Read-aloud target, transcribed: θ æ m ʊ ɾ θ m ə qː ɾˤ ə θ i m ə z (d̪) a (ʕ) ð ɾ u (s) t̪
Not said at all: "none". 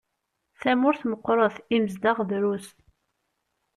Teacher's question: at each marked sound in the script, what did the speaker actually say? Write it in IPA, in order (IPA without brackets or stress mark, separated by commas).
d̪, ʁ, s